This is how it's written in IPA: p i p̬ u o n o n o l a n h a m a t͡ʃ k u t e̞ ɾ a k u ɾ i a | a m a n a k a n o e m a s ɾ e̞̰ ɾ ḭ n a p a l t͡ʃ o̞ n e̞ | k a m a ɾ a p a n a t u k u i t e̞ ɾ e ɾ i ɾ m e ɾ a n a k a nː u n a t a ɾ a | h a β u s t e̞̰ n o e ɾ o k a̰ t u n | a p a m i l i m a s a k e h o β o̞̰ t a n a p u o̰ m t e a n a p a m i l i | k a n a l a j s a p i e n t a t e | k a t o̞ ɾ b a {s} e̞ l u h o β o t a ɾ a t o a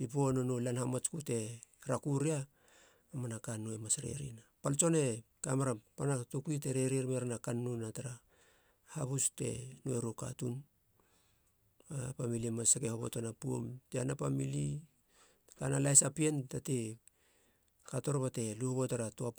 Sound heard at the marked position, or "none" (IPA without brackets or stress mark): t